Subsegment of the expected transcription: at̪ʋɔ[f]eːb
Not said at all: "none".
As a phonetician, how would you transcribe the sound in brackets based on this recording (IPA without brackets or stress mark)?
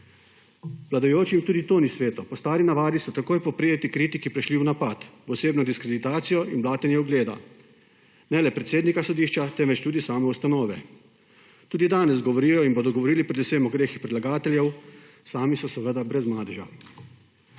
s